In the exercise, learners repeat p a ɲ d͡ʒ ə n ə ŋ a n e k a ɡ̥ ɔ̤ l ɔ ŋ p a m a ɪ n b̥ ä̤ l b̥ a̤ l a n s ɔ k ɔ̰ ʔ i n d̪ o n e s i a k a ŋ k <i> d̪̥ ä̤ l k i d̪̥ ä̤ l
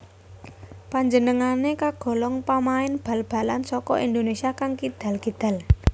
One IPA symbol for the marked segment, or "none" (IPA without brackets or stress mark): i